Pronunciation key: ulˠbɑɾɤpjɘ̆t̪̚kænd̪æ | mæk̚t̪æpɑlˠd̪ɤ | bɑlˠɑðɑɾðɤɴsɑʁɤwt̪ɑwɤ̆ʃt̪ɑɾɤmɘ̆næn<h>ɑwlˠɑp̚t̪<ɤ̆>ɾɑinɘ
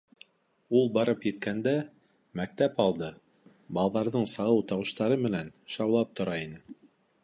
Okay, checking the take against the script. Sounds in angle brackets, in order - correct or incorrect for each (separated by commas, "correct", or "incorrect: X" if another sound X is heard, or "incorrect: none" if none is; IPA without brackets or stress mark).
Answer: incorrect: ʃ, incorrect: ŏ